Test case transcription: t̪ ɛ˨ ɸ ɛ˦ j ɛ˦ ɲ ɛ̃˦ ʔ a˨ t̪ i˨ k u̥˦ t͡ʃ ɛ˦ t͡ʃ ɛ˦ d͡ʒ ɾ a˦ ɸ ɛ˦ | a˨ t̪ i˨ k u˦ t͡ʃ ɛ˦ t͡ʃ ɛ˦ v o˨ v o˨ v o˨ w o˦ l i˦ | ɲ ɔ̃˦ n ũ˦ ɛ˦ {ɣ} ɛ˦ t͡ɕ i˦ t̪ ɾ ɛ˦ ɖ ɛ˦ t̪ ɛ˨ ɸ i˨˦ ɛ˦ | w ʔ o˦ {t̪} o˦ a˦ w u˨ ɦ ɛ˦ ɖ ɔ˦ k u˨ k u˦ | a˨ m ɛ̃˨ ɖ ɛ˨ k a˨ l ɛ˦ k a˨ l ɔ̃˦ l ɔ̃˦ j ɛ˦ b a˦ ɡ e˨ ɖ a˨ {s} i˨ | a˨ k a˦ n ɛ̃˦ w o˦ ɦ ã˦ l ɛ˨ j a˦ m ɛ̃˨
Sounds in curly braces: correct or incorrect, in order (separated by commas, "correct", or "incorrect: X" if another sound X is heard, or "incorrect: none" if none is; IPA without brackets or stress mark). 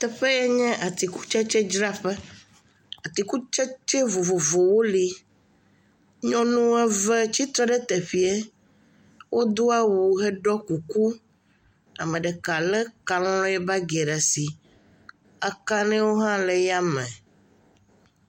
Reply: incorrect: v, incorrect: d̪, correct